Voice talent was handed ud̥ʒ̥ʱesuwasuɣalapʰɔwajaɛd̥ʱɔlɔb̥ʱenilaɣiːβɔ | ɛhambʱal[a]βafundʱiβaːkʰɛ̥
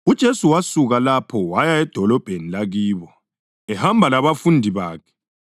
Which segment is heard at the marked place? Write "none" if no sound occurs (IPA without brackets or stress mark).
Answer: a